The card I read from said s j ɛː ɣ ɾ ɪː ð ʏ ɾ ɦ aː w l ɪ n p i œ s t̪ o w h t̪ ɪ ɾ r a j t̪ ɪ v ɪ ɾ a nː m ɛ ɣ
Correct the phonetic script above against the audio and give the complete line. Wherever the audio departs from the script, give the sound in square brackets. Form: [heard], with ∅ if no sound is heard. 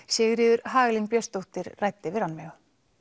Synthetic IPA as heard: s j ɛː ɣ ɾ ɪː ð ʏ ɾ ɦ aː [ɣ] l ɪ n p [j] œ s t̪ o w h t̪ ɪ ɾ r a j t̪ ɪ v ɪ ɾ a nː m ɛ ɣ

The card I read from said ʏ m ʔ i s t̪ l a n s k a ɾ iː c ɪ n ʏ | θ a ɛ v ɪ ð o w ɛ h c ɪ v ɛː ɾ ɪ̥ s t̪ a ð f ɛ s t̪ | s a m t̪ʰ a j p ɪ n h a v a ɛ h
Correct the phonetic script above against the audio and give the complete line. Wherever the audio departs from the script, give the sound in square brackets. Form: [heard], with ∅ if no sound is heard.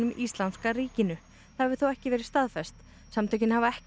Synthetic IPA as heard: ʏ m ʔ i s t̪ l a n s k a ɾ iː c ɪ n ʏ | θ a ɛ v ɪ [θ] o w ɛ h c ɪ v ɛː ɾ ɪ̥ s t̪ a ð f ɛ s t̪ | s a m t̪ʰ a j [c] ɪ n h a v a ɛ h

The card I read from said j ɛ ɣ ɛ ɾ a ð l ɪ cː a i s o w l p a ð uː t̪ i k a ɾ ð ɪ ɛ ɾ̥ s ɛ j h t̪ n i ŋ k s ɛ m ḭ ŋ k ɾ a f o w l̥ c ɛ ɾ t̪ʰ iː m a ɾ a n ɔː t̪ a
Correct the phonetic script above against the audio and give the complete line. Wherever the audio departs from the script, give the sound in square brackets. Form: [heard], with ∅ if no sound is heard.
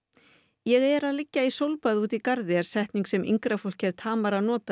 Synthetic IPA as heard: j ɛ ɣ ɛ ɾ a ð l ɪ cː a i s o w l p a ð uː t̪ i k a ɾ ð ɪ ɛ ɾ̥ s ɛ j h t̪ n i ŋ k s ɛ m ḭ ŋ k ɾ a f o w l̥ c ɛ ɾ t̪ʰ [aː] m a ɾ a n ɔː t̪ a

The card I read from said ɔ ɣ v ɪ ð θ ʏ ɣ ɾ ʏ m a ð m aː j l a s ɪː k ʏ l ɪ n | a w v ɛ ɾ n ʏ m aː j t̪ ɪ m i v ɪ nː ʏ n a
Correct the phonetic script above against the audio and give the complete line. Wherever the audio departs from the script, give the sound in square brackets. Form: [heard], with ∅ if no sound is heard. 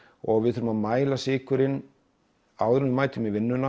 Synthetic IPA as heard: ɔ ɣ v ɪ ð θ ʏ [∅] ɾ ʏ m a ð m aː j l a s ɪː k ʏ [ɾ] ɪ n | a w [ð] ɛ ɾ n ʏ m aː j t̪ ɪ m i v ɪ nː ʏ n a

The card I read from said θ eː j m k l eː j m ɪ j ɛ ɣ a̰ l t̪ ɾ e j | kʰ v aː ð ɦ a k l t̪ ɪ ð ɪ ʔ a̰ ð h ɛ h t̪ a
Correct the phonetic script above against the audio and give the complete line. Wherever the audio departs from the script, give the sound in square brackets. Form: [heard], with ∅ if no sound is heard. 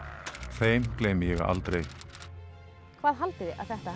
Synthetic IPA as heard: θ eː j m k l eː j m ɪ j ɛ ɣ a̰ l t̪ ɾ e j | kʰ v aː ð ɦ a [∅] l t̪ ɪ ð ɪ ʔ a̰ ð [θ] ɛ h t̪ a

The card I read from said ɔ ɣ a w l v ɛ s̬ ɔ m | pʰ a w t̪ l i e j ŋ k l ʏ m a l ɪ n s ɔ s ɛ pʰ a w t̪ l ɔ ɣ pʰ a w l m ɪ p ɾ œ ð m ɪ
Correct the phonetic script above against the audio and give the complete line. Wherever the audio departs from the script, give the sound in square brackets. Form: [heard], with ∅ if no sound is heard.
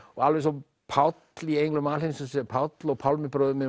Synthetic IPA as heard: ɔ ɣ a [∅] l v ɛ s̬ ɔ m | pʰ a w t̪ l i e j ŋ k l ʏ m a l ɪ n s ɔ s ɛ pʰ a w t̪ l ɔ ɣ pʰ a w l m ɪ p ɾ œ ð m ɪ

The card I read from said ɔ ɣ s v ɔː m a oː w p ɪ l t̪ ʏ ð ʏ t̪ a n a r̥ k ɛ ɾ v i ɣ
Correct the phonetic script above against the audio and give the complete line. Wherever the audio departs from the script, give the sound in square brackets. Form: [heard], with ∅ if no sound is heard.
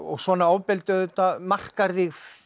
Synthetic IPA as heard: ɔ ɣ s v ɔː [n] a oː w p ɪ l t̪ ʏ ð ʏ t̪ a [m] a r̥ k [a] ɾ [ð] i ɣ

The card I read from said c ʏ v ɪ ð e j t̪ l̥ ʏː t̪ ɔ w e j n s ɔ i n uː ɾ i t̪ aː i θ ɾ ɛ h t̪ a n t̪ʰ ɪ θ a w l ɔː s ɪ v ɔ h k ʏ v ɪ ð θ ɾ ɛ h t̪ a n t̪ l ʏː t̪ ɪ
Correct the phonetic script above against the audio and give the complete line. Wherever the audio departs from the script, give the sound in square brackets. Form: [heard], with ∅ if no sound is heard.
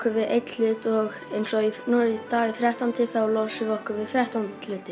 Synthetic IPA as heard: [k] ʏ v ɪ ð e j t̪ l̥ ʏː t̪ ɔ [ɣ] e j n s ɔ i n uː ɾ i t̪ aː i θ ɾ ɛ h t̪ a n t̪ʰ ɪ θ a w l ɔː s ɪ v ɔ h k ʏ v ɪ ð θ ɾ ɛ h t̪ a n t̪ l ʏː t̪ ɪ

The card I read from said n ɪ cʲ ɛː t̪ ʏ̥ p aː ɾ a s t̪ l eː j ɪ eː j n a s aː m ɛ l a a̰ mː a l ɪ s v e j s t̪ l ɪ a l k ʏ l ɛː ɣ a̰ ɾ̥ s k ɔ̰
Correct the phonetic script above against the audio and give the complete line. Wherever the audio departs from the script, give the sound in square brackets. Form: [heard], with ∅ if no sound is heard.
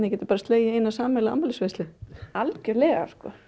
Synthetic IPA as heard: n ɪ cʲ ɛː t̪ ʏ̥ p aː ɾ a s t̪ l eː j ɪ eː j n a s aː m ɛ l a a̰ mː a l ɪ s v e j s t̪ l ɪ a l [c] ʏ l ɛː ɣ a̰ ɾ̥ s k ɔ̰

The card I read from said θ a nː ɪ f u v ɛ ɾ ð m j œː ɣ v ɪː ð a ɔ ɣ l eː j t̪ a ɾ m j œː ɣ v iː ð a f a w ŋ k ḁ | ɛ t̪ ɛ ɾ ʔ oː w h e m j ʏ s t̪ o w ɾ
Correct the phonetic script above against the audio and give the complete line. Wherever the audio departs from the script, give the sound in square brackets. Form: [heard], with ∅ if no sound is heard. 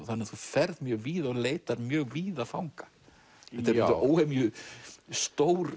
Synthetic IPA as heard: θ a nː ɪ [θ] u [f] ɛ ɾ ð m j œː ɣ v [iː] ð a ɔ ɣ l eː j t̪ a ɾ m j œː ɣ v iː ð a f a w ŋ k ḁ | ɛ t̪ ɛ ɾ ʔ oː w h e m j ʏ s t̪ o w ɾ

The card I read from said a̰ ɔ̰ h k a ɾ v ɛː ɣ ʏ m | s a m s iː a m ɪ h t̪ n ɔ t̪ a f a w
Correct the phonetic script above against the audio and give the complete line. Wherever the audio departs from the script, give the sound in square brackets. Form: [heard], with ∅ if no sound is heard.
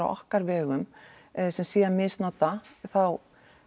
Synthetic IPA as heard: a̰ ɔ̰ h k a ɾ v ɛː ɣ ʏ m | s [ɛ] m s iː a m ɪ [s] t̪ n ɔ t̪ a [θ] a w

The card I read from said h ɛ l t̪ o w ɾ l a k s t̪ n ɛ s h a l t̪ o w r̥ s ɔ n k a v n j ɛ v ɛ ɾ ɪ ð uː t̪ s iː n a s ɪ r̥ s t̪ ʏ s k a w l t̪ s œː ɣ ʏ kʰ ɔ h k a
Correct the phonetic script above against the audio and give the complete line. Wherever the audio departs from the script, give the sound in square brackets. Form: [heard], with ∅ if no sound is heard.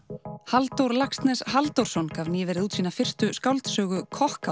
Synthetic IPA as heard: h [a] l t̪ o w ɾ l a k s t̪ n ɛ s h a l t̪ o w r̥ s ɔ n k a v n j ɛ v ɛ ɾ ɪ ð uː t̪ s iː n a [f] ɪ r̥ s t̪ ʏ s k a w l t̪ s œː ɣ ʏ kʰ ɔ h k a

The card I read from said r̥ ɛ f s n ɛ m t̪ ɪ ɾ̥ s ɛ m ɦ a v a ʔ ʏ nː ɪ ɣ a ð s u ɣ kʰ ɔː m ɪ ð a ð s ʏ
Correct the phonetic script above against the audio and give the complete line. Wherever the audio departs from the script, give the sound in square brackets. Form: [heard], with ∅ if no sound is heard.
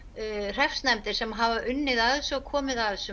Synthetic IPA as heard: r̥ ɛ f s n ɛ m t̪ ɪ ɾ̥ s ɛ m ɦ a v a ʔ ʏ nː ɪ [ð] a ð s [ɔ] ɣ kʰ ɔː m ɪ ð a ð s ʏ

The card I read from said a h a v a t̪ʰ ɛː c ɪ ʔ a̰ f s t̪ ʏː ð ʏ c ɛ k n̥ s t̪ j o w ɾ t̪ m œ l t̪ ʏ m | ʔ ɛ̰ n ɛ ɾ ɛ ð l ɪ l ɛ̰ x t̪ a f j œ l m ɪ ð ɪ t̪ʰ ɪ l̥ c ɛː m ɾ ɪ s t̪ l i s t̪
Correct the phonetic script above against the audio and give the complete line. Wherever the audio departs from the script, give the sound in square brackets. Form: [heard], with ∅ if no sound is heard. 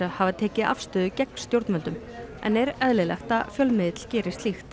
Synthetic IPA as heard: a h a v a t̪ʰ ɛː c ɪ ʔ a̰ f s t̪ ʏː ð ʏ c ɛ k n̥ s t̪ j o w ɾ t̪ m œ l t̪ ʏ m | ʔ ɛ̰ n ɛ ɾ ɛ ð l ɪ l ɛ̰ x t̪ a f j œ l m ɪ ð ɪ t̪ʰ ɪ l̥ c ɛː [∅] ɾ ɪ s t̪ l i [x] t̪

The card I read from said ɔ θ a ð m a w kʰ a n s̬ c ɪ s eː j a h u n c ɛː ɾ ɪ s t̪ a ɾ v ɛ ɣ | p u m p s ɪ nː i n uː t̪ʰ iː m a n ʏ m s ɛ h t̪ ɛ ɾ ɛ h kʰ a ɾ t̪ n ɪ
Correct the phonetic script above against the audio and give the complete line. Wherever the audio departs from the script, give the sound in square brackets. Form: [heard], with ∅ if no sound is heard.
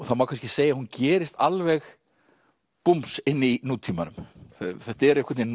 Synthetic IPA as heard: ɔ θ a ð m a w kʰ a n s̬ c ɪ s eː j a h u n c ɛː ɾ ɪ s t̪ a [l] v ɛ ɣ | p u m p s ɪ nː i n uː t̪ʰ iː m a n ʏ m [θ] ɛ h t̪ ɛ ɾ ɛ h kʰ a ɾ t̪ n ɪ

